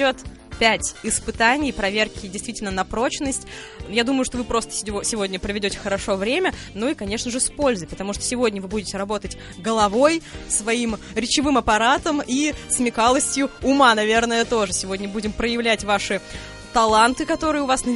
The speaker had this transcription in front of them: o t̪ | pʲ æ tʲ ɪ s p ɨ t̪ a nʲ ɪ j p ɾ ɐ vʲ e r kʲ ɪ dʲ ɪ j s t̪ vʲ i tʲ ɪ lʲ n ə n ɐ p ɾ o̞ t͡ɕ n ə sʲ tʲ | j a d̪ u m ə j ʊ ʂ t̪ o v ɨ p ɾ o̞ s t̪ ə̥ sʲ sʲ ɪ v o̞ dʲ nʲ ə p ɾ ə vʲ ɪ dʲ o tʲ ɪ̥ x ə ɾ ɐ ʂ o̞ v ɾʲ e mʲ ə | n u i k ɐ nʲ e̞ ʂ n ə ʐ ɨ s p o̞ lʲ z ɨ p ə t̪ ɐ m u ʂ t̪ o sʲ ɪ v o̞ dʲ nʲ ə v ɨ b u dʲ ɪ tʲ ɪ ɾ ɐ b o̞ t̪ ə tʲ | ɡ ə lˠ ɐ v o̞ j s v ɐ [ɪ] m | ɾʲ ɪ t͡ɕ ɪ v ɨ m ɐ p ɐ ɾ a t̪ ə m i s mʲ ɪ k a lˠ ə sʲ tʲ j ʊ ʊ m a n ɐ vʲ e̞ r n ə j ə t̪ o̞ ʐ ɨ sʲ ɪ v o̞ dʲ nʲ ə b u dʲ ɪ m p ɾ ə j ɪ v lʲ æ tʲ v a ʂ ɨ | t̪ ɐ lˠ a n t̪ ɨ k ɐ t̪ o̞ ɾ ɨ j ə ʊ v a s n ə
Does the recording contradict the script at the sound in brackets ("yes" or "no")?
yes